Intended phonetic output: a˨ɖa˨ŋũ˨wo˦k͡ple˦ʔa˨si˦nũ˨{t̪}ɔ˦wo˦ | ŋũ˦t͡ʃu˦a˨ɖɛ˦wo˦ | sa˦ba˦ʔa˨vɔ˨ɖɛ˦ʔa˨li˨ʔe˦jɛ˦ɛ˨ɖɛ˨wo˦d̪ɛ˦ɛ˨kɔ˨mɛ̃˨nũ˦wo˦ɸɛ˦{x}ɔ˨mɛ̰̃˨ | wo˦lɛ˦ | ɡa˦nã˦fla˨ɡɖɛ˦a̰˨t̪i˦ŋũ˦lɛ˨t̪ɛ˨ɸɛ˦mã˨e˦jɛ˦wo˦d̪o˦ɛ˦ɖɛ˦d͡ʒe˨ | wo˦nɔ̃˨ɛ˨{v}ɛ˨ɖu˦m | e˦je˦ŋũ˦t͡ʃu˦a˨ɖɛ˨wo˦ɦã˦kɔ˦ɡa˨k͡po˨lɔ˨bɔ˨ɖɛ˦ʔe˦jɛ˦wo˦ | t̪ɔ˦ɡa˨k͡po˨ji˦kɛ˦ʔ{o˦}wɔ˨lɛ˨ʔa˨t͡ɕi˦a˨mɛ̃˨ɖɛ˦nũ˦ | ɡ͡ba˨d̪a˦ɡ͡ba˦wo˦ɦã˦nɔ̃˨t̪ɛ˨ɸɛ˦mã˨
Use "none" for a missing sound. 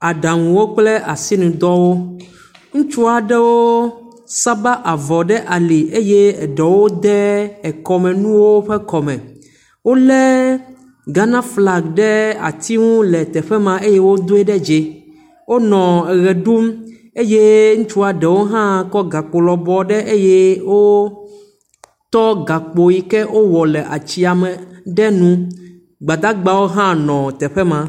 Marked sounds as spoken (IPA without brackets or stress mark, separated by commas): d̪, k, ɣ, o˦